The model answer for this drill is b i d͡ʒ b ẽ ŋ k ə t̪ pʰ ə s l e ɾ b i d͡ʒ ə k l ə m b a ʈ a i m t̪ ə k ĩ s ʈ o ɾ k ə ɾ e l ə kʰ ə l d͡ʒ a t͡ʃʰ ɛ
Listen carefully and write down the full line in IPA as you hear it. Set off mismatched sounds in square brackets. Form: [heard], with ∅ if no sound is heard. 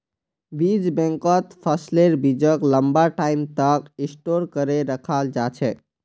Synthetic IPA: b i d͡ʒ b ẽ ŋ k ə t̪ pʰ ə s l e ɾ b i d͡ʒ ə k l ə m b a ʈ a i m t̪ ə k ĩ s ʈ o ɾ k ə ɾ e [ɾ] ə kʰ [a] l d͡ʒ a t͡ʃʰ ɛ